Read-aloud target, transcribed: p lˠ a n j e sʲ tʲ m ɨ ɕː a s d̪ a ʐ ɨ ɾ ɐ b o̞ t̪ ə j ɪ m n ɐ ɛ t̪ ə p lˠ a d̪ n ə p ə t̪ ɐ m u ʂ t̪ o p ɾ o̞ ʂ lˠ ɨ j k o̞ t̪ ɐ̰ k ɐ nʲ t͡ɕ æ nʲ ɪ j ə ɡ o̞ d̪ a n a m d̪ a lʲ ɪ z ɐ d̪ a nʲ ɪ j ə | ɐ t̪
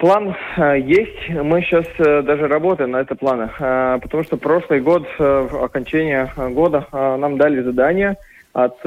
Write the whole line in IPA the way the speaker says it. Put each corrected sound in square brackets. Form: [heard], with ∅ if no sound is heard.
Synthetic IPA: p lˠ a n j e sʲ tʲ m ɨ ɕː a s d̪ a ʐ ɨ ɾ ɐ b o̞ t̪ ə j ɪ m n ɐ ɛ t̪ ə p lˠ a [∅] n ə p ə t̪ ɐ m u ʂ t̪ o p ɾ o̞ ʂ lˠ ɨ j [ɡ] o̞ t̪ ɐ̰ k ɐ nʲ t͡ɕ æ nʲ ɪ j ə ɡ o̞ d̪ [ə] n a m d̪ a lʲ ɪ z ɐ d̪ a nʲ ɪ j ə | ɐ t̪